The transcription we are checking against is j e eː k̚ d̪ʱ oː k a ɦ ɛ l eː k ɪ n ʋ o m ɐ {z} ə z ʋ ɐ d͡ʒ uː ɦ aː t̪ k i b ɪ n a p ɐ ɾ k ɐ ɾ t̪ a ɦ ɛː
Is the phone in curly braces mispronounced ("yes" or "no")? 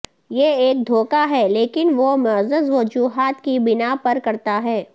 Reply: no